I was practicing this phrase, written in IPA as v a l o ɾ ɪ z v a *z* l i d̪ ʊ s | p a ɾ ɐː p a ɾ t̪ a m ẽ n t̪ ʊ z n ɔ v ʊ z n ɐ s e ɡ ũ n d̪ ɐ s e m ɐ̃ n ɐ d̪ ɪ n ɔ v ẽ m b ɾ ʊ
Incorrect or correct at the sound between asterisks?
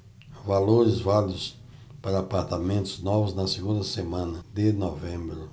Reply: incorrect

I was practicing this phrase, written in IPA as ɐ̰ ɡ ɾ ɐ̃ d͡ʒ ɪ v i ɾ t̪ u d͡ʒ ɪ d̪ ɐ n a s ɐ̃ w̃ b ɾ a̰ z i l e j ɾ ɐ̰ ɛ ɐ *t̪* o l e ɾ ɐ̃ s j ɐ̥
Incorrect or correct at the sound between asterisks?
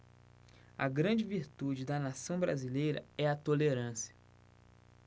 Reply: correct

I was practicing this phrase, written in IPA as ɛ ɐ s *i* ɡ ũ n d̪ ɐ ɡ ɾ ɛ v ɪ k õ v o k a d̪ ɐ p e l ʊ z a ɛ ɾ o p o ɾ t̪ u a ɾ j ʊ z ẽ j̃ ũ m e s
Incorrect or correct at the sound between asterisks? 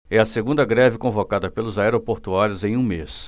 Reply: incorrect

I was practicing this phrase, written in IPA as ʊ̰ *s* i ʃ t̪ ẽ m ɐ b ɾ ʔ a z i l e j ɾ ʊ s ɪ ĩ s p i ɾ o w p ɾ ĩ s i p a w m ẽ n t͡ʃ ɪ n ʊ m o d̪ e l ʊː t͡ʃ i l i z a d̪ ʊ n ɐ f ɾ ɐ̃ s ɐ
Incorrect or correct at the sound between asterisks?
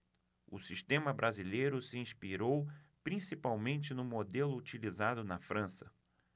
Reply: correct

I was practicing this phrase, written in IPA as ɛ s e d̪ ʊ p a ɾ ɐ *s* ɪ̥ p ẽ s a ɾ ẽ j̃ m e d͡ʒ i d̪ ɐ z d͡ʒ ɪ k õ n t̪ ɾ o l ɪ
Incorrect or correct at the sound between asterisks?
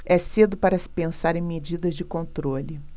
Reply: correct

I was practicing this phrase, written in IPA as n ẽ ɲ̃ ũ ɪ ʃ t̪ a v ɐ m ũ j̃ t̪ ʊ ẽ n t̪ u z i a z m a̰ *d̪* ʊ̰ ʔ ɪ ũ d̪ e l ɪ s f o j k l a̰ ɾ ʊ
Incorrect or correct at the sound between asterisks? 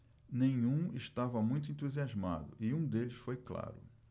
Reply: correct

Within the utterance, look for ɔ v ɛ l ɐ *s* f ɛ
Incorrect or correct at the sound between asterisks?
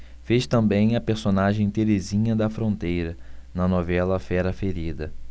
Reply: incorrect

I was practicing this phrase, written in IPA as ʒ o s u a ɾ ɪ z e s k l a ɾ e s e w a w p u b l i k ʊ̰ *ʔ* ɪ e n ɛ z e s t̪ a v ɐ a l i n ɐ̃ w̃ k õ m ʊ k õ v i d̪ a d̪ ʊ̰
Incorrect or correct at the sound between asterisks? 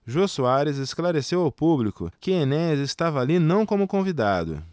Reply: incorrect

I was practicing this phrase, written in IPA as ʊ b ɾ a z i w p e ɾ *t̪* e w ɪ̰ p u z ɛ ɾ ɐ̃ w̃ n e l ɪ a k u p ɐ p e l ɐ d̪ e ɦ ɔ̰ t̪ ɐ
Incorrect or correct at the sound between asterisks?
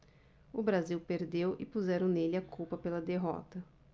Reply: incorrect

